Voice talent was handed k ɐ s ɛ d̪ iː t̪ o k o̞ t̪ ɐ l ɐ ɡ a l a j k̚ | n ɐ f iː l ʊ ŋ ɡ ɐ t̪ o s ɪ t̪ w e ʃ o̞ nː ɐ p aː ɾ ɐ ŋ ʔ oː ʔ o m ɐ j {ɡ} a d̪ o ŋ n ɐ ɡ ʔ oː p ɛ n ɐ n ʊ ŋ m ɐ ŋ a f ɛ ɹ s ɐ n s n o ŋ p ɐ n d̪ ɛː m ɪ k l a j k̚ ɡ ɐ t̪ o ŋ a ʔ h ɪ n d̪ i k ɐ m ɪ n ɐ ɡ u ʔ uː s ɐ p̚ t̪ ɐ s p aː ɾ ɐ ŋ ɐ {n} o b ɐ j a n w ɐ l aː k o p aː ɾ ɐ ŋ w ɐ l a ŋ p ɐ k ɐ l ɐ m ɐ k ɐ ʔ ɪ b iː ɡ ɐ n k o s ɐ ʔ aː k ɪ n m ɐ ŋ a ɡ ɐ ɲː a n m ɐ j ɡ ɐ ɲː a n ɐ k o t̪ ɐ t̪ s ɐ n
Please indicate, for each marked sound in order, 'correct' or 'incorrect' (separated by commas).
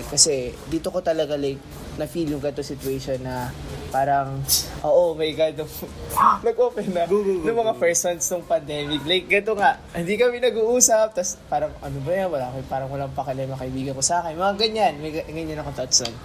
correct, correct